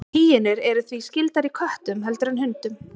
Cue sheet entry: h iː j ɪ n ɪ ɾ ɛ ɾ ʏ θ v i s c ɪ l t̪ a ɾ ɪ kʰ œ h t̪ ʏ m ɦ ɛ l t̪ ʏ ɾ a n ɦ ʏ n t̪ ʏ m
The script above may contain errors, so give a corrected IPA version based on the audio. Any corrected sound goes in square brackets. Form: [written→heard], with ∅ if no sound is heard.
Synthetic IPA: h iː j ɪ n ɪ ɾ ɛ ɾ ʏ θ v i s c ɪ l t̪ a ɾ [ɪ→i] kʰ œ h t̪ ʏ m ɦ ɛ l t̪ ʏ ɾ a n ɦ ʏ n t̪ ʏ m

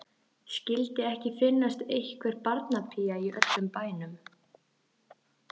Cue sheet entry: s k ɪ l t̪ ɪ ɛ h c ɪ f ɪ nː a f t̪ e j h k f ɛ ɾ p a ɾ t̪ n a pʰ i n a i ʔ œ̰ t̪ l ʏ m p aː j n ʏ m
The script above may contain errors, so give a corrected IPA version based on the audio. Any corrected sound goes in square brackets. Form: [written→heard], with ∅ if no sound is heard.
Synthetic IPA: s [k→c] ɪ l t̪ ɪ ɛ h c ɪ f ɪ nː a [f→s] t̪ e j h k [f→v] ɛ ɾ p a ɾ t̪ n a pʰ i [n→∅] a i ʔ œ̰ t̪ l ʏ m p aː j n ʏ m

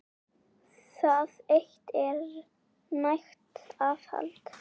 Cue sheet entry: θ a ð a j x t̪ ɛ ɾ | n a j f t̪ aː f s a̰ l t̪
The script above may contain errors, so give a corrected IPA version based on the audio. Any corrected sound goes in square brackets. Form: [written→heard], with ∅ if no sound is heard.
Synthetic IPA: θ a ð [a→e] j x t̪ ɛ ɾ | n a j [f→x] t̪ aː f [s→h] a̰ l t̪

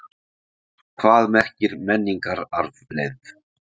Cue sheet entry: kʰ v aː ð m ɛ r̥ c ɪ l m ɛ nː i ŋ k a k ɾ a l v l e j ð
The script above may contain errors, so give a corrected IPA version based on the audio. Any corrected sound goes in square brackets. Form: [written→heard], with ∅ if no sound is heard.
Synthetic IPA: kʰ v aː ð m ɛ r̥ c ɪ [l→ɾ] m ɛ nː i ŋ k a [k→∅] ɾ a [l→ɾ] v l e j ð

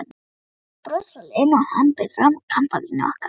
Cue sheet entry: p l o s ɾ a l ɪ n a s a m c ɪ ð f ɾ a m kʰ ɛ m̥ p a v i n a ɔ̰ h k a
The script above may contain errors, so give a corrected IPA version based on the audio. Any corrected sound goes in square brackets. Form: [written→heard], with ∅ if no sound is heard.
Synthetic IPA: p [l→ɾ] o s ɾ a l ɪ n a [s→h] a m [c→p] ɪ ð f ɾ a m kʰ [ɛ→a] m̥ p a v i n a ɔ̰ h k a

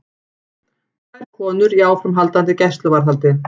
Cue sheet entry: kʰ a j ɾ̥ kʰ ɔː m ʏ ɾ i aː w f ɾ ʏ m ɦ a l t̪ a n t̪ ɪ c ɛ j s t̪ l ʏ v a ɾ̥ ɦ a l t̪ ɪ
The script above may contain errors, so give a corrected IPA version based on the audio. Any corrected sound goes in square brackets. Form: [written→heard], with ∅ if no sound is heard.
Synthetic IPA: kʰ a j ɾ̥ kʰ ɔː [m→n] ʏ ɾ i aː w f ɾ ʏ m ɦ a l t̪ a n t̪ ɪ c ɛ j s t̪ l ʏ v a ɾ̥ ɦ a l t̪ ɪ

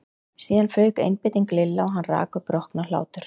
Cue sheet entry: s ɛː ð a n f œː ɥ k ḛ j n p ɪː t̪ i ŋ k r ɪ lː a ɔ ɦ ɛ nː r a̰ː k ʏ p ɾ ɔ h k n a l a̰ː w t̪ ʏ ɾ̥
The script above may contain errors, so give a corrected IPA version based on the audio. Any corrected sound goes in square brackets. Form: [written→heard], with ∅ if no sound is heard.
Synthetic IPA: s [ɛː→iː] ð a n f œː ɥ k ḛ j n p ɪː t̪ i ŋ k [r→l] ɪ lː a ɔ ɦ [ɛ→a] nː r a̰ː k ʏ p ɾ ɔ h k n a l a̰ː w t̪ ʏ ɾ̥

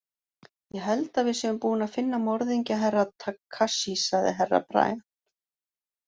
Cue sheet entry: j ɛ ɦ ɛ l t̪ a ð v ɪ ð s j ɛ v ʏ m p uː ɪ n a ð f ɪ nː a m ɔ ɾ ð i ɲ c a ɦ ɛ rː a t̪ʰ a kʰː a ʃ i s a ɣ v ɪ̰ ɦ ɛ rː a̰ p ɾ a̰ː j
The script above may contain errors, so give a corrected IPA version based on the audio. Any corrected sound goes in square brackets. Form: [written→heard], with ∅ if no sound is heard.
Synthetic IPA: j ɛ ɦ ɛ l t̪ a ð v ɪ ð s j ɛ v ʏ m p uː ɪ n a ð f ɪ nː a m ɔ ɾ ð i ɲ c a ɦ ɛ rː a t̪ʰ a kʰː a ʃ i s a ɣ [v→ð] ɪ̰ ɦ ɛ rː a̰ p ɾ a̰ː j

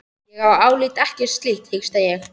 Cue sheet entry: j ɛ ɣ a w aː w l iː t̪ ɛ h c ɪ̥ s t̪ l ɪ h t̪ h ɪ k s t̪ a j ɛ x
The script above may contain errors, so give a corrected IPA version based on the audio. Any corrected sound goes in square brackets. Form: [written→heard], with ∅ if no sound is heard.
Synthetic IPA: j ɛ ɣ a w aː w l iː t̪ ɛ h c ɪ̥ s t̪ l [ɪ→i] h t̪ h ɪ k s t̪ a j ɛ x

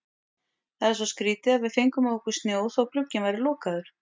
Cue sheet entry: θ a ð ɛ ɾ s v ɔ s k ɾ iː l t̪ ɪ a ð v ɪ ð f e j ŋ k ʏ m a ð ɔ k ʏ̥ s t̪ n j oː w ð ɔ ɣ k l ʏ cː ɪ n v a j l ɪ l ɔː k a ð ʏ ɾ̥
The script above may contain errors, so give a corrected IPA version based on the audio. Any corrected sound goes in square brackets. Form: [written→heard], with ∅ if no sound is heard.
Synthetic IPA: θ a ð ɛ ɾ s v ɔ s k ɾ iː [l→∅] t̪ ɪ a ð v ɪ ð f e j ŋ k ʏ m a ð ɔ k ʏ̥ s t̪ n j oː w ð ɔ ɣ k l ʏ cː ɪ n v a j [l→ɾ] ɪ l ɔː k a ð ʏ ɾ̥

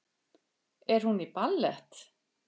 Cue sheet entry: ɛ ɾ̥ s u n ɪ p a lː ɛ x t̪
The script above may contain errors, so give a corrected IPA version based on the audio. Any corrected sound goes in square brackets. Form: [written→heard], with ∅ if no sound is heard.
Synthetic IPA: ɛ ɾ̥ [s→h] u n [ɪ→i] p a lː ɛ [x→h] t̪

